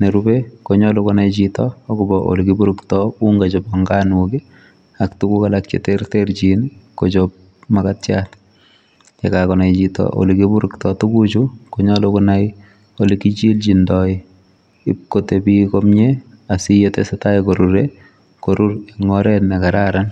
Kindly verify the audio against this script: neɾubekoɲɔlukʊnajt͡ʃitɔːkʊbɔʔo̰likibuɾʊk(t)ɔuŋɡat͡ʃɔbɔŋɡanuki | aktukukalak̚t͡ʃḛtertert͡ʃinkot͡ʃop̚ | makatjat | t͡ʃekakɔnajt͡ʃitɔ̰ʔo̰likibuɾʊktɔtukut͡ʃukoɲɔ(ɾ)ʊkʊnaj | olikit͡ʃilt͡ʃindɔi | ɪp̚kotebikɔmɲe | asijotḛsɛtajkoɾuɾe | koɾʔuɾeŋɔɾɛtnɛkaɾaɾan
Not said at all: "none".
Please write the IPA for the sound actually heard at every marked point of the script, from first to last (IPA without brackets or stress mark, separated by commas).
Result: t, l